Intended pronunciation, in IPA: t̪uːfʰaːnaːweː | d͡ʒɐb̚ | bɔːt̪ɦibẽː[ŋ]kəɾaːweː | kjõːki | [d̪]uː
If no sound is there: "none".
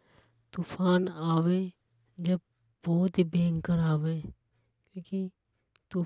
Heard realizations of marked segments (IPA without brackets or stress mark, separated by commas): ŋ, t̪